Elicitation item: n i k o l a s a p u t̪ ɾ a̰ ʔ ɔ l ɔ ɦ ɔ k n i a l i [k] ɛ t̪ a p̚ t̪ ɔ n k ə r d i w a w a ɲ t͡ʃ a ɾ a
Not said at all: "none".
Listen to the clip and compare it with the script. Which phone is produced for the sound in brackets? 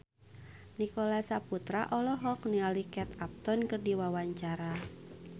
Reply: k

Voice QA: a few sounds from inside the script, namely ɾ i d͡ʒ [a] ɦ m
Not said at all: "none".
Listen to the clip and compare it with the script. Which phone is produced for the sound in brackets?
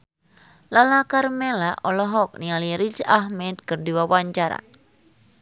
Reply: a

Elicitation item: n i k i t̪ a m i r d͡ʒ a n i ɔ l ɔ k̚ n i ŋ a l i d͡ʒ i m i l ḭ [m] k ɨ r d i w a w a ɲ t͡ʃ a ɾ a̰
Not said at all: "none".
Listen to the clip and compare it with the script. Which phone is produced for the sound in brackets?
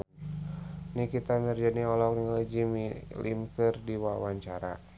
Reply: m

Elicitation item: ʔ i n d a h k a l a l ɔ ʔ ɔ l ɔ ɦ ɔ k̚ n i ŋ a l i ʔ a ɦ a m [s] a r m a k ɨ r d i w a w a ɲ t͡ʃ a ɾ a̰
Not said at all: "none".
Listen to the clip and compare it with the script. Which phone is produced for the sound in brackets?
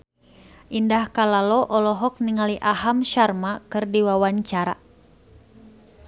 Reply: ʃ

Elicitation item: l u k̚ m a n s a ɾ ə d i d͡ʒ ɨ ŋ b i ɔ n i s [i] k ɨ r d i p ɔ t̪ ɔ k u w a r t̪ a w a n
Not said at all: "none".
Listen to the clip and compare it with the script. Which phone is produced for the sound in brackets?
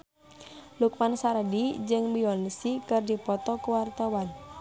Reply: i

